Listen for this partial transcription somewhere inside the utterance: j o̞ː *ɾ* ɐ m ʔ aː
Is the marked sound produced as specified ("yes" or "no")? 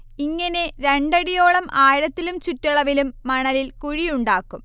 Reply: no